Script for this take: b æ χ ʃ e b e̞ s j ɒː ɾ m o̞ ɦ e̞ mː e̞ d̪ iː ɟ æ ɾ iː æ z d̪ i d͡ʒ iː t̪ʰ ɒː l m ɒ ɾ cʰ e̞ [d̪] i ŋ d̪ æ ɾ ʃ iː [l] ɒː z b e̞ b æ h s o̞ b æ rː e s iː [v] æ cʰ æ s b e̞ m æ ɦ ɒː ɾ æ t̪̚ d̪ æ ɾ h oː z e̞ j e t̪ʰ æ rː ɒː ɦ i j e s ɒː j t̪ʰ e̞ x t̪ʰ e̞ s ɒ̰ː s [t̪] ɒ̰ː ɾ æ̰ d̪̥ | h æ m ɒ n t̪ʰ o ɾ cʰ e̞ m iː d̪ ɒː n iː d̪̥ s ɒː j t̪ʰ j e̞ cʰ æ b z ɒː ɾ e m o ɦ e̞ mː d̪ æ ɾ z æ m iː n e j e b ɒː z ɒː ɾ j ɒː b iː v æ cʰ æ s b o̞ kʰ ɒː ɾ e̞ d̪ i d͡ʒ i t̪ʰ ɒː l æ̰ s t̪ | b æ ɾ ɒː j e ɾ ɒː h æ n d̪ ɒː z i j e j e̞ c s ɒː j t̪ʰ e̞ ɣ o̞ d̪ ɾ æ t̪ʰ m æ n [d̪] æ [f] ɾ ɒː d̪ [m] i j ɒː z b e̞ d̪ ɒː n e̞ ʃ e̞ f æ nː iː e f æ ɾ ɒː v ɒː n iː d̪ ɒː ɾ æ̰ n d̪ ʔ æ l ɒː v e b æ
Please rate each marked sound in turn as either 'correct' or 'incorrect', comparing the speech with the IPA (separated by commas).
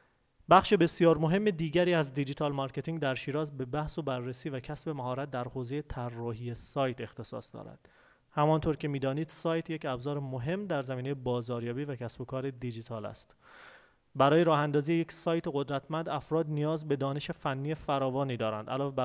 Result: incorrect, incorrect, correct, incorrect, correct, correct, incorrect